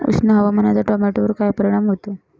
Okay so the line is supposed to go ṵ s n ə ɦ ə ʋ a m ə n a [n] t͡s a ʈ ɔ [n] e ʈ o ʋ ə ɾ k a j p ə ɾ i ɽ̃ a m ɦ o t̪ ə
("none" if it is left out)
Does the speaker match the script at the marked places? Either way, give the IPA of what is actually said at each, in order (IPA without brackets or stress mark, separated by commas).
none, m